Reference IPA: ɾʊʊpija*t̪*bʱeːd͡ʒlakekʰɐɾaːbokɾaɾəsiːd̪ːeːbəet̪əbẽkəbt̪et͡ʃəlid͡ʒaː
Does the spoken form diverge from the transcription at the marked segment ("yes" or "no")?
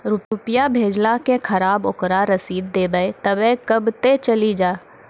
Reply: yes